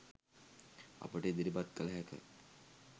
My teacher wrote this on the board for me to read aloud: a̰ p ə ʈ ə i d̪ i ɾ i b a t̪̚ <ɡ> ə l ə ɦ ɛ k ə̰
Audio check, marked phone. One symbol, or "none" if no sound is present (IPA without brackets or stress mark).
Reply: k